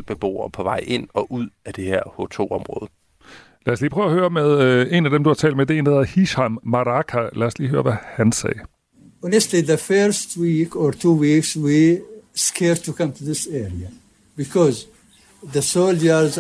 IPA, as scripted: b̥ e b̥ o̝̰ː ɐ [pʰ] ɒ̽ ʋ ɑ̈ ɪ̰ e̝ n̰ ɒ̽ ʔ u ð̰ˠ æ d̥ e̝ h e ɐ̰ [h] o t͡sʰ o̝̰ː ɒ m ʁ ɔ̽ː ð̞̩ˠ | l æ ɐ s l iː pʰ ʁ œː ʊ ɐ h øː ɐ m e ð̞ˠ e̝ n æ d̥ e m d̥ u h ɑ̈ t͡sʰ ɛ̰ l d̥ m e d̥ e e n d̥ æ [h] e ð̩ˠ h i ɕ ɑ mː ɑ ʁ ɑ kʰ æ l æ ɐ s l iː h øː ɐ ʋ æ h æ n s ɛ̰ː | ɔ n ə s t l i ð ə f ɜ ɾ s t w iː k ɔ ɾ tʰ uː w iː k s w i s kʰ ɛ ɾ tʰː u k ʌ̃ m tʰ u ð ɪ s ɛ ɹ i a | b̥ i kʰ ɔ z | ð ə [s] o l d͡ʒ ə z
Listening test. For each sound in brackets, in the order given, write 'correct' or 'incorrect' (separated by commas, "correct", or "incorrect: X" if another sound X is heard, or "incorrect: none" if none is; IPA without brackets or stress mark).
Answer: correct, correct, correct, correct